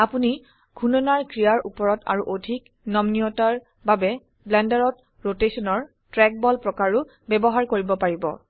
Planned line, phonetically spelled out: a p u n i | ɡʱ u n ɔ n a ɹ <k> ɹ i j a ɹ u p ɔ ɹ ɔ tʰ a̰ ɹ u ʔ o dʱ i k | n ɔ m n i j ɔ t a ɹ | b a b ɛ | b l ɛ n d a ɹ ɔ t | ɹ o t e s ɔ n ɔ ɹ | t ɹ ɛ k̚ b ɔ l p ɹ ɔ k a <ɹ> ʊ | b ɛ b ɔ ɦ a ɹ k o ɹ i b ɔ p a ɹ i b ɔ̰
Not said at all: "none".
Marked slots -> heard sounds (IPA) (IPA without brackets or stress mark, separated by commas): k, ɹ